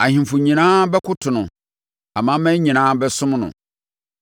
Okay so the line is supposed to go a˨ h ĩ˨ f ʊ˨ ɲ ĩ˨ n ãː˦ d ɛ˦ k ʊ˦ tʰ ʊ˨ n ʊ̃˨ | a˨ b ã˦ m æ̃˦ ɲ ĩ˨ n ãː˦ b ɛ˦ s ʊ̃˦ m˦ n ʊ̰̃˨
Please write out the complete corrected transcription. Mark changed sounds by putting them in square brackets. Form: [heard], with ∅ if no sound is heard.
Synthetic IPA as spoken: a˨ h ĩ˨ f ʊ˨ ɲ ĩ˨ n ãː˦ [b] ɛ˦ k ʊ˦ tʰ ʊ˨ n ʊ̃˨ | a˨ [m] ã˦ m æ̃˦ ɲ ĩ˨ n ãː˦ b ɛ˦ s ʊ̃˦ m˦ n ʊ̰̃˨